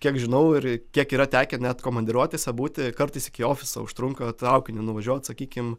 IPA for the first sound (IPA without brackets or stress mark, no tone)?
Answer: kʲ